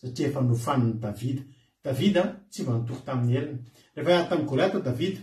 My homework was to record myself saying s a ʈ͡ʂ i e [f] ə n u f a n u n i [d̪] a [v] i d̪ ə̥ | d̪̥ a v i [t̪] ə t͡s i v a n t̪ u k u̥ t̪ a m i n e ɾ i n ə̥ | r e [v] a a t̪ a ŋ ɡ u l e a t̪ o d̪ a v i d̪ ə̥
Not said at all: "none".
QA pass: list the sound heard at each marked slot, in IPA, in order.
f, d̪, v, d̪, f

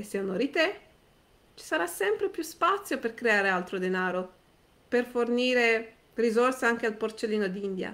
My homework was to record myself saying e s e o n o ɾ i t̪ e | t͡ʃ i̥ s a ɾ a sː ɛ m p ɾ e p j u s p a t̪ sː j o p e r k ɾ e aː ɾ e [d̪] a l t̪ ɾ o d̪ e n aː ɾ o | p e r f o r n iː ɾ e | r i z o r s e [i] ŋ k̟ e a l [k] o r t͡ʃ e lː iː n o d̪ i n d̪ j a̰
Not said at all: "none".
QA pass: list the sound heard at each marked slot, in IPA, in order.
none, a, p

